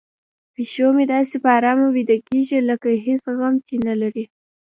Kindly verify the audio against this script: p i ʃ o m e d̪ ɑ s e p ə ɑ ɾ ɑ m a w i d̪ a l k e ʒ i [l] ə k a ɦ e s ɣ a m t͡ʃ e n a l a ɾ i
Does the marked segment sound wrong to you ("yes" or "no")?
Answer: no